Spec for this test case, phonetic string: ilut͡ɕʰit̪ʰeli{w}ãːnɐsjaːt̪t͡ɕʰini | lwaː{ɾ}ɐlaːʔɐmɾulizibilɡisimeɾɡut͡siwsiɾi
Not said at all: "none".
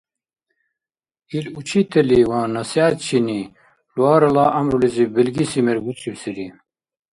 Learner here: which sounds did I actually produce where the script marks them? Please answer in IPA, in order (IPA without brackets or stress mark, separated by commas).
w, ɾ